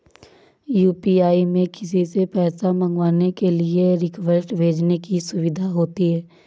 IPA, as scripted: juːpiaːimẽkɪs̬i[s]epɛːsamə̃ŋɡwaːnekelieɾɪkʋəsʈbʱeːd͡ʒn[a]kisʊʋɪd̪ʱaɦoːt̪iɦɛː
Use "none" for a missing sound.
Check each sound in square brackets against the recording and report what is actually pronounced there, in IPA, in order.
s, e

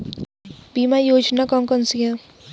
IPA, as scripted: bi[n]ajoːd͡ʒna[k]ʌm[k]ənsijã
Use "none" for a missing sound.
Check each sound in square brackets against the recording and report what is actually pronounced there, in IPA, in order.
m, k, k

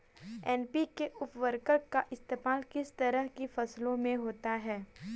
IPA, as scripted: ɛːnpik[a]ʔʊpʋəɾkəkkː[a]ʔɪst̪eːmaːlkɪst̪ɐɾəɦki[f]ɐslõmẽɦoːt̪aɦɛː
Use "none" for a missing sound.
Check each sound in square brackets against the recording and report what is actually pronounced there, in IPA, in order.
e, a, f

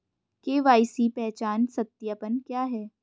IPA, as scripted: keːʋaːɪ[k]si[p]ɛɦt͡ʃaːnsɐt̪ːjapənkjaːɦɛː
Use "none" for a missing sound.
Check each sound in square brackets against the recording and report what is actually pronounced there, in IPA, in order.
none, p

